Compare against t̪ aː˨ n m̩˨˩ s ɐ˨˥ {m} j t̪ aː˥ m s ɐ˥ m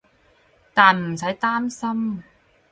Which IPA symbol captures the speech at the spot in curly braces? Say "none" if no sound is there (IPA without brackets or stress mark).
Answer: none